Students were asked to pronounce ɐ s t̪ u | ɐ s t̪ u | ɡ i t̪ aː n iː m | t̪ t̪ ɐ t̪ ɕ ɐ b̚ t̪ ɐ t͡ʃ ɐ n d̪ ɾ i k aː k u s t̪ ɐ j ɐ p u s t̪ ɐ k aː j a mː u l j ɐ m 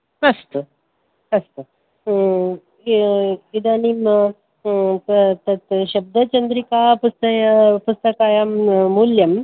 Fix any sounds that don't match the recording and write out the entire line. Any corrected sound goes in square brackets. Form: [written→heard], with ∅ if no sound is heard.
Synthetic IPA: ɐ s t̪ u | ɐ s t̪ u | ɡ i [t̪→d̪] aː n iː m | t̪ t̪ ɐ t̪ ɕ ɐ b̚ [t̪→d̪] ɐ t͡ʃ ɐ n d̪ ɾ i k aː [k→p] u s t̪ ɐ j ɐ p u s t̪ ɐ k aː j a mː u l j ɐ m